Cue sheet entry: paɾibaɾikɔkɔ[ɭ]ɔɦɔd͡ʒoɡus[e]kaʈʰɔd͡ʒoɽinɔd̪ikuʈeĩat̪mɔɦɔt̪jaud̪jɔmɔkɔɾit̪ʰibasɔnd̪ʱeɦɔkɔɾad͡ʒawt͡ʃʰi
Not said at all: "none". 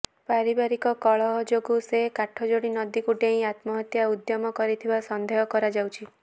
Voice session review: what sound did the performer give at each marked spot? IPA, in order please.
ɭ, e

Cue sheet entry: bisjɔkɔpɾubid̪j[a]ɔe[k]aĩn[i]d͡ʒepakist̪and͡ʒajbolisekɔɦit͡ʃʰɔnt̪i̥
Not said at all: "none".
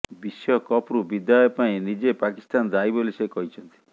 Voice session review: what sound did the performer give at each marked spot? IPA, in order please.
a, p, i

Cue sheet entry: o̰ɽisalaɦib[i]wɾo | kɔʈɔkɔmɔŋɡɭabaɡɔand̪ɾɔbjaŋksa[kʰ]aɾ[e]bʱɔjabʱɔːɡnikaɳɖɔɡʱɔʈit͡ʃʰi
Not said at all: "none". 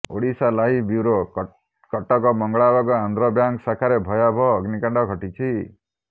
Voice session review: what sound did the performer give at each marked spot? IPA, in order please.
i, kʰ, e

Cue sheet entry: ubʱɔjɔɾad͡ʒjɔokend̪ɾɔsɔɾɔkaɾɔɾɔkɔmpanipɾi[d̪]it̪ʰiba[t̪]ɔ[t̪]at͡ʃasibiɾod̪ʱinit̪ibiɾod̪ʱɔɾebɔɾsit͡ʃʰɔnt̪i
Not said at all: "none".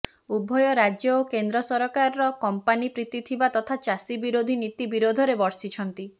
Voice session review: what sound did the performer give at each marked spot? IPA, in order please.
t̪, t̪, t̪ʰ

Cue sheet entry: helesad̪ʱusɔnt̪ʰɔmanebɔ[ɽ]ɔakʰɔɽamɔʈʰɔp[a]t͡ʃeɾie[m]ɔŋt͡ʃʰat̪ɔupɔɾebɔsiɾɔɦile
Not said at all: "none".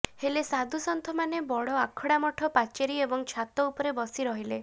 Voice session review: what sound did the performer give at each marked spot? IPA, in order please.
ɽ, a, b

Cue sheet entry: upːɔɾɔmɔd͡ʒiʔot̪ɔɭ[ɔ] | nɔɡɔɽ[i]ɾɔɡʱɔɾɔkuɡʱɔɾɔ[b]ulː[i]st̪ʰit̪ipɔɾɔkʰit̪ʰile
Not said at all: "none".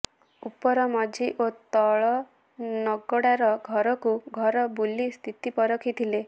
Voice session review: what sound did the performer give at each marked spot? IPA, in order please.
ɔ, a, b, i

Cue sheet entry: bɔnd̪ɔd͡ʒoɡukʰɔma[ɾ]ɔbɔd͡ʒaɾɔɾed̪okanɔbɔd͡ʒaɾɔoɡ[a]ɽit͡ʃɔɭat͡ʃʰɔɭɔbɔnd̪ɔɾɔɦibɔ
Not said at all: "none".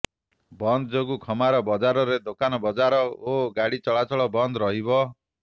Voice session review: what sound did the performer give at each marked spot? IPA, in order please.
ɾ, a

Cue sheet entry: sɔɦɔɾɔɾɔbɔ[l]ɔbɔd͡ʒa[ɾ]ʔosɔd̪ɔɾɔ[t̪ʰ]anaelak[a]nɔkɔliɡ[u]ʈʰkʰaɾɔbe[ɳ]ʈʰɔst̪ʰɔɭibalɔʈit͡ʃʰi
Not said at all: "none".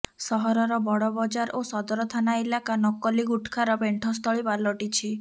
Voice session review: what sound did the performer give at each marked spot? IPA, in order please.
ɽ, ɾ, t̪ʰ, a, u, ɳ

